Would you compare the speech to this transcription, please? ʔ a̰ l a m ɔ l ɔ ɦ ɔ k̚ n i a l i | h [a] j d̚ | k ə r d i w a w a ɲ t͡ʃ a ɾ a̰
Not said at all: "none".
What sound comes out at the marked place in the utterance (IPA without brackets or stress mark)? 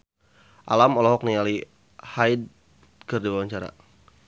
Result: a